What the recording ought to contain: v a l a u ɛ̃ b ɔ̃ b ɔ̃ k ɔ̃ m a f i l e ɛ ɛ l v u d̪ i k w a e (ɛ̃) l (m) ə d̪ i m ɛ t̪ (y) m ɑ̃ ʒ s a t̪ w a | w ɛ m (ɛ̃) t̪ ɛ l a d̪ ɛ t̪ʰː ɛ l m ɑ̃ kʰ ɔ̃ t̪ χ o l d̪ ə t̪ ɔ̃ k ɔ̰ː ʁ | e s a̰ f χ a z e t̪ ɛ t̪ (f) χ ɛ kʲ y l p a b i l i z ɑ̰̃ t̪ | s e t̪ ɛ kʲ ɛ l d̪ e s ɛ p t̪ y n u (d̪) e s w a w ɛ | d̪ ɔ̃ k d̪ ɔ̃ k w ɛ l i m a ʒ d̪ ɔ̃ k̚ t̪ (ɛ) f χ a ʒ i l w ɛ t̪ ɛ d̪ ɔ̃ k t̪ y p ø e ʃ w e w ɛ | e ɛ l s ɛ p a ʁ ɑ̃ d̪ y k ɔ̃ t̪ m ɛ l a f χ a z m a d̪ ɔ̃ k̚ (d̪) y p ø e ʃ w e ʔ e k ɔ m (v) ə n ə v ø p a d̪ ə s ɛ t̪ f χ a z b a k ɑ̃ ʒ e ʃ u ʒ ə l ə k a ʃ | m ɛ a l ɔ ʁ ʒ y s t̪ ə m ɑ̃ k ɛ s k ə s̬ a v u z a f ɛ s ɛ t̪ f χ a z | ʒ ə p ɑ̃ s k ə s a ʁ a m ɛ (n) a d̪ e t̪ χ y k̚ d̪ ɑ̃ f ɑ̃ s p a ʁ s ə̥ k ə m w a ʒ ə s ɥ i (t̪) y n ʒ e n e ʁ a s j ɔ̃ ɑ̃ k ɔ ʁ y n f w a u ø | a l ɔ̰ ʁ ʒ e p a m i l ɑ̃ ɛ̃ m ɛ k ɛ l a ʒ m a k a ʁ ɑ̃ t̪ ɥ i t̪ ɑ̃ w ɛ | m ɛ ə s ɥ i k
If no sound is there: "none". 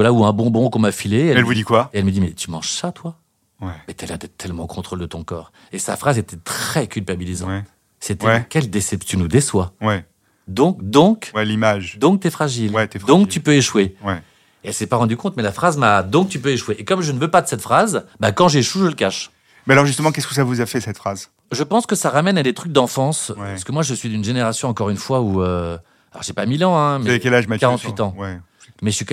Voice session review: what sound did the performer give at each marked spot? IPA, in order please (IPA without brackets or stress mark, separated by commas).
ɛ, m, y, ɛ, χ, d̪, ɛ, t̪, ʒ, n, d̪